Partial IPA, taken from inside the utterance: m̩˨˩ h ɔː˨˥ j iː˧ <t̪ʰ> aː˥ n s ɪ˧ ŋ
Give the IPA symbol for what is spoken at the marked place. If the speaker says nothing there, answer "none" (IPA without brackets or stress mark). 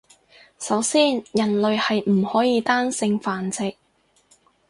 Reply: t̪